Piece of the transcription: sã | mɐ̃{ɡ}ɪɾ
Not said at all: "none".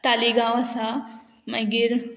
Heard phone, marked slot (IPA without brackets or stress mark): ɡ